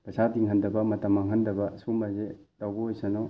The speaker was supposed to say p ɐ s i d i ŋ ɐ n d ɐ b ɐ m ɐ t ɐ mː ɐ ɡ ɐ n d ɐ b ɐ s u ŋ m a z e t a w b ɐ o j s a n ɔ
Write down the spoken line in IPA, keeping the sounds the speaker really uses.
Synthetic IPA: p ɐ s a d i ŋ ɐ n d ɐ b ɐ m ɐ t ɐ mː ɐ ŋ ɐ n d ɐ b ɐ s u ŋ b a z e t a w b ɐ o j s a n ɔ